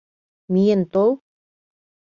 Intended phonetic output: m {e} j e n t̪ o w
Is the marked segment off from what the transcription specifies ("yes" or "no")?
yes